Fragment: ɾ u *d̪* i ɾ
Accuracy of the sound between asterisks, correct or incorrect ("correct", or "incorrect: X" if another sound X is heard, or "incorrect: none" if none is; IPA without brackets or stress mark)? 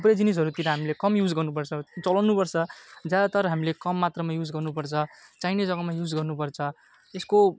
incorrect: t̪